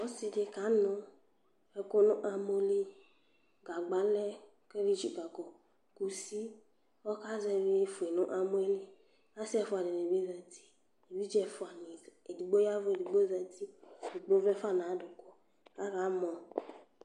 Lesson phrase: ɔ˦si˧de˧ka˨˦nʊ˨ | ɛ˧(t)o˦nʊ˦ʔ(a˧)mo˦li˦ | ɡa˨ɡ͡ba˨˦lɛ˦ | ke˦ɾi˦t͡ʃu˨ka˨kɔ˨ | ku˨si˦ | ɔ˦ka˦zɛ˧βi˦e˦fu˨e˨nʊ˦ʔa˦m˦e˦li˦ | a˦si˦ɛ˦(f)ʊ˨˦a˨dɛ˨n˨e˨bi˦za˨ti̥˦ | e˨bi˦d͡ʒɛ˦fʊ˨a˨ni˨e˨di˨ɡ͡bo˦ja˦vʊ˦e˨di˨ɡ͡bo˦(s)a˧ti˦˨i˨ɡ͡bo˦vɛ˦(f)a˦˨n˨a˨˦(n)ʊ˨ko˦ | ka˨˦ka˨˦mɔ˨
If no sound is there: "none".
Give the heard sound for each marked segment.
k, a˧, f, z, f, d

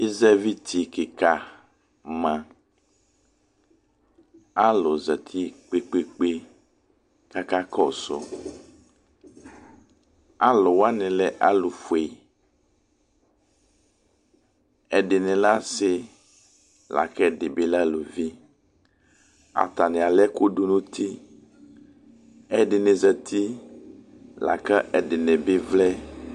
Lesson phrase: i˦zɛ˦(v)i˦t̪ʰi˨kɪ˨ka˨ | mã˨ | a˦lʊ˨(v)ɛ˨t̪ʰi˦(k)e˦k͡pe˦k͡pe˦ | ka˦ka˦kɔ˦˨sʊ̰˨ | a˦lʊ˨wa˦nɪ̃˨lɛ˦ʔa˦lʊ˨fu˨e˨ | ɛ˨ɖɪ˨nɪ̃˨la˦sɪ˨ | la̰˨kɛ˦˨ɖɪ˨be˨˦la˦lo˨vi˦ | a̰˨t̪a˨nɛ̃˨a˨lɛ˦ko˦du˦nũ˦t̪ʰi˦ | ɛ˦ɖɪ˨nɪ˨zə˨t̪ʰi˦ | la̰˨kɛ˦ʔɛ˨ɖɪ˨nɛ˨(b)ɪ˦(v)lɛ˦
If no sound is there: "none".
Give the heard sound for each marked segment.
v, z, k͡p, b, v

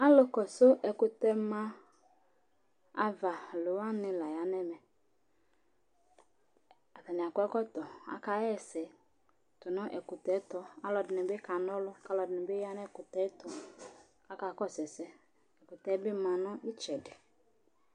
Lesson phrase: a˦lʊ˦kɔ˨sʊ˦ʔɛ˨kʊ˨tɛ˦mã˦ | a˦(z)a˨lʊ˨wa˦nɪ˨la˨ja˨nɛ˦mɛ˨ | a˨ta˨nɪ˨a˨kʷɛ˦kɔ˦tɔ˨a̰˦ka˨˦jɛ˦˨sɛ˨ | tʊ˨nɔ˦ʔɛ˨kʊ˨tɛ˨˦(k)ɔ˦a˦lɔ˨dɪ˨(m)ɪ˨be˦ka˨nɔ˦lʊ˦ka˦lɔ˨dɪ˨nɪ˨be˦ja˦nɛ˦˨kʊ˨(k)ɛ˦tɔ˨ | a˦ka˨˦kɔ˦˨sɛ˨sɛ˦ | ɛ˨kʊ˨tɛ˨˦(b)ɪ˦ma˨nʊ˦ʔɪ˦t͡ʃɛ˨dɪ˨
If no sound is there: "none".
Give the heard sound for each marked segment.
v, t, n, t, b

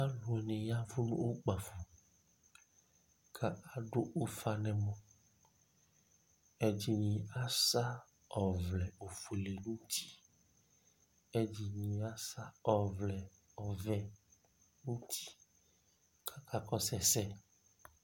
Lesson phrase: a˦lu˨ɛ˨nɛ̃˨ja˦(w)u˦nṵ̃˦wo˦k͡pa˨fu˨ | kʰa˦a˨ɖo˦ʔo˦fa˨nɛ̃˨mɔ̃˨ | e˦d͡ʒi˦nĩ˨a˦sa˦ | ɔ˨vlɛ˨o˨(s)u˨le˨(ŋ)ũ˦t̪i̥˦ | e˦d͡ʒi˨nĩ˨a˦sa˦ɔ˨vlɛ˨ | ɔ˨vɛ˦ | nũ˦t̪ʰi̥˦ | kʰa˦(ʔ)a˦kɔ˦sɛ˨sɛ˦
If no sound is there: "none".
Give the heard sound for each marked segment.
v, f, n, k

